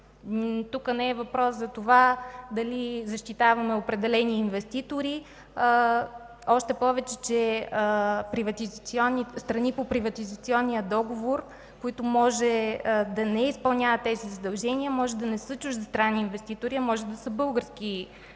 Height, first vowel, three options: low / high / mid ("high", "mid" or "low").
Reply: high